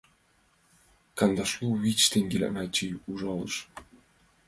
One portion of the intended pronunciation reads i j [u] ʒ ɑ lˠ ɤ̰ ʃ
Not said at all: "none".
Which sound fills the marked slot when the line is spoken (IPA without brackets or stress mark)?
u